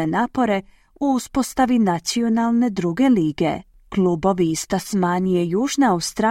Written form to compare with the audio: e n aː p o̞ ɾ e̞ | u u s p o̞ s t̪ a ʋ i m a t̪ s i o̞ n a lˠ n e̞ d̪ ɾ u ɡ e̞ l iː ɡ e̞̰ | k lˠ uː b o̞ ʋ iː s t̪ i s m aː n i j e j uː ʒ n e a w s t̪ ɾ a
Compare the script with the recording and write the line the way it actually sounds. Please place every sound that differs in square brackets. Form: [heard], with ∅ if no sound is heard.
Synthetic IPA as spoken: e n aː p o̞ ɾ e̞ | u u s p o̞ s t̪ a ʋ i [n] a t̪ s i o̞ n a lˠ n e̞ d̪ ɾ u ɡ e̞ l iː ɡ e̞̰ | k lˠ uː b o̞ ʋ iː s t̪ [a] s m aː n i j e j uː ʒ n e a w s t̪ ɾ a